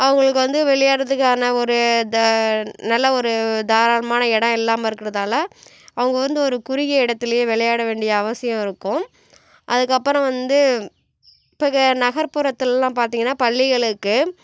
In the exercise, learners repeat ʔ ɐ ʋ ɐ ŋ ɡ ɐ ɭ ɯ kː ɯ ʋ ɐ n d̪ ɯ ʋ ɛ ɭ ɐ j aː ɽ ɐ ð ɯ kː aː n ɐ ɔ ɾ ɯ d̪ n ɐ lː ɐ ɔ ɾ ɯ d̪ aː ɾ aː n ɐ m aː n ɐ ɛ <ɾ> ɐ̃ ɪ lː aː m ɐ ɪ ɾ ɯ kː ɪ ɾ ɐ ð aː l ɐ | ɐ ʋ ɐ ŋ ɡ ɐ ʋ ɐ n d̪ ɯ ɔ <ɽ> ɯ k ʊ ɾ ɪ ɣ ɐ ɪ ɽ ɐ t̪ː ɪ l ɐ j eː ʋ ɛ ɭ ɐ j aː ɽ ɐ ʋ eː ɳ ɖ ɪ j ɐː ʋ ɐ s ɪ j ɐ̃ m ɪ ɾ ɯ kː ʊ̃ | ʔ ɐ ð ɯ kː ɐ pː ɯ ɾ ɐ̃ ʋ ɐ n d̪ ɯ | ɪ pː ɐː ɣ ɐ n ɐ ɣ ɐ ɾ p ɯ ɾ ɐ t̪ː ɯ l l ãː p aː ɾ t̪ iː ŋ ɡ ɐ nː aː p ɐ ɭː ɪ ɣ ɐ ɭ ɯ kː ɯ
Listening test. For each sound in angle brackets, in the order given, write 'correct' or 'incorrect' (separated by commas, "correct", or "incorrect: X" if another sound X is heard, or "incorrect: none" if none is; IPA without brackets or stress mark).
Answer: incorrect: ɽ, incorrect: ɾ